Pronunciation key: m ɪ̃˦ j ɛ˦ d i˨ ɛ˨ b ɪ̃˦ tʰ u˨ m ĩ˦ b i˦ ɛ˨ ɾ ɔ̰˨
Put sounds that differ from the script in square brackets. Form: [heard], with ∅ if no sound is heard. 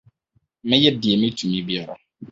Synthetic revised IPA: m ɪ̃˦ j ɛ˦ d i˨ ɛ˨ [m] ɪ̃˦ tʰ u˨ m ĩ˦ b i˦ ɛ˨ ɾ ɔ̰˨